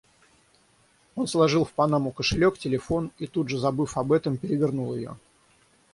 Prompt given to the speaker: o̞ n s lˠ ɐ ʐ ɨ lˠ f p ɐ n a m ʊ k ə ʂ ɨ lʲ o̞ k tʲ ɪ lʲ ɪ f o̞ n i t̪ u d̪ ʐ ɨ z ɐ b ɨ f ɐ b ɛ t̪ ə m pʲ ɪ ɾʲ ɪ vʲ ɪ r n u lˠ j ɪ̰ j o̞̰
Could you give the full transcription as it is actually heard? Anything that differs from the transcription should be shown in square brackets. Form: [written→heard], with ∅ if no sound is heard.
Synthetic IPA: o̞ n s lˠ ɐ ʐ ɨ lˠ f p ɐ n a m ʊ k ə ʂ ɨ lʲ o̞ k tʲ ɪ lʲ ɪ f o̞ n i t̪ u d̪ ʐ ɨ z ɐ b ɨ f ɐ b ɛ t̪ ə m pʲ ɪ ɾʲ ɪ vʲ ɪ r n u lˠ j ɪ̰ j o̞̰